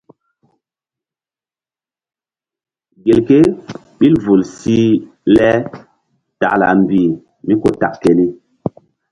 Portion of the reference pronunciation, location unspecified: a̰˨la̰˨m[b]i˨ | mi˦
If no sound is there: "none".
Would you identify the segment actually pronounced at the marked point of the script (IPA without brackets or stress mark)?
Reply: b